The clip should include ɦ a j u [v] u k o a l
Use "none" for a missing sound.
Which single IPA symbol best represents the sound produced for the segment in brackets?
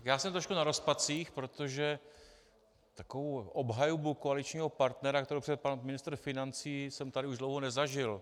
b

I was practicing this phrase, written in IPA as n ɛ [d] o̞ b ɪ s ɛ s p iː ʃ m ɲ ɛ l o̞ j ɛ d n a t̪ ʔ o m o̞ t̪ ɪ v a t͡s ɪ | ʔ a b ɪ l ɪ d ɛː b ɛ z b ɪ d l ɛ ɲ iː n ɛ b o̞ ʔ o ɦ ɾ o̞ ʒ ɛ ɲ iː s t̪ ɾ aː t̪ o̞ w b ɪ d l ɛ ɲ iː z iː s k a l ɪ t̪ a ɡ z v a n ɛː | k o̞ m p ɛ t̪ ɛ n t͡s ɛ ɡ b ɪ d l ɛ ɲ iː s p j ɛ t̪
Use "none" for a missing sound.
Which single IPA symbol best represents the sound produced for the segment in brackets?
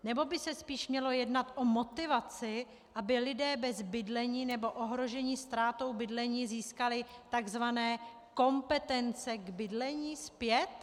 b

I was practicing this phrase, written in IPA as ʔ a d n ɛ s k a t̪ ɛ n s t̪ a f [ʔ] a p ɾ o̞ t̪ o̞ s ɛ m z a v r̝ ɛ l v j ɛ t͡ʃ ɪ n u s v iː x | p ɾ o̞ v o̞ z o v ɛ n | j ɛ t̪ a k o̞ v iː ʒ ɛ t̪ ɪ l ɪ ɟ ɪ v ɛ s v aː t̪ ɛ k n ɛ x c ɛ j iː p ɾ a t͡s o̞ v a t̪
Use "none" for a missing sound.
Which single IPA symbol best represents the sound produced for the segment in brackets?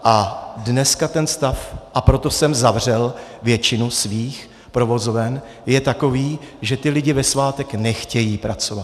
ʔ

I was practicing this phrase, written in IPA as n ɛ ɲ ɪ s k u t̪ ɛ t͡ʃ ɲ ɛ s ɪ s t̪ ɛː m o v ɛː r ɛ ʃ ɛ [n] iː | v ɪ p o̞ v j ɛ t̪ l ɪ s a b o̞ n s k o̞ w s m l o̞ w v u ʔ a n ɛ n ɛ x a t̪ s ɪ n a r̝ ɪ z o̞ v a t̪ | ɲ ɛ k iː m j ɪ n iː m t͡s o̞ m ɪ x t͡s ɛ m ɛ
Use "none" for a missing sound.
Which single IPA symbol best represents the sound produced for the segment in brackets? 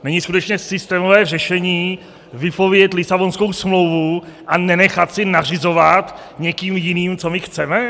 ɲ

